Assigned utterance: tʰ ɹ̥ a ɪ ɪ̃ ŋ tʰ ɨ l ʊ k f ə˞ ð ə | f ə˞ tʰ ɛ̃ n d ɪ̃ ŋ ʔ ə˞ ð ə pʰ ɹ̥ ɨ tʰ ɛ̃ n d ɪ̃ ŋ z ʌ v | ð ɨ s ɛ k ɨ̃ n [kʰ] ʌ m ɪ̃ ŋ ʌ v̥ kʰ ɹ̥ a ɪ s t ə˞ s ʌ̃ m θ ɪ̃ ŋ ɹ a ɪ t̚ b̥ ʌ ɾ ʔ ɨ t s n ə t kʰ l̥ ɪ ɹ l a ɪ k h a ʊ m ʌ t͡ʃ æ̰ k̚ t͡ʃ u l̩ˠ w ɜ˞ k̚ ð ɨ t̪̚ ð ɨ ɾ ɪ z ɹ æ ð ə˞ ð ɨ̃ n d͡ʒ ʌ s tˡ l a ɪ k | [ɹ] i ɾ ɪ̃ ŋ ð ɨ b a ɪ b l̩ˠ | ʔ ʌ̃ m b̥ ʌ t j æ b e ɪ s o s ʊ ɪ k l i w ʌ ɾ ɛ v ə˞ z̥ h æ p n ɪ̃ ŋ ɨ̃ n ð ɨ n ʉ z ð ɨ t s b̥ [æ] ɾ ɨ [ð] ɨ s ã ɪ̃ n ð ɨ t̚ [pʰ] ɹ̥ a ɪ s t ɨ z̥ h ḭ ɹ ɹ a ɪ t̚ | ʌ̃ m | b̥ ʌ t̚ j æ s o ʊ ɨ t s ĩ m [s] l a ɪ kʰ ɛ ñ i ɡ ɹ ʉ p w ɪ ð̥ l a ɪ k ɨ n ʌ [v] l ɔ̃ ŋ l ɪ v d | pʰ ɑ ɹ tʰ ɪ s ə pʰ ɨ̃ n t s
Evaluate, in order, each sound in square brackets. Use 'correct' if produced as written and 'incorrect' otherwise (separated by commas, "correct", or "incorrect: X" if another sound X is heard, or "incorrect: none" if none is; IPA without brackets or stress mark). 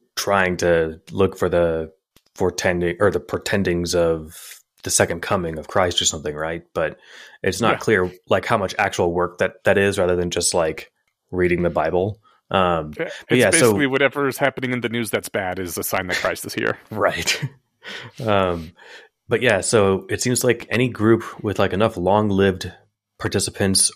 correct, correct, correct, incorrect: z, incorrect: kʰ, incorrect: z, incorrect: f